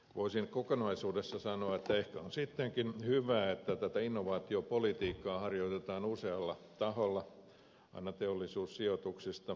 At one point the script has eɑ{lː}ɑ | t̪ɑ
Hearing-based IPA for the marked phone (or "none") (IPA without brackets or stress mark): lː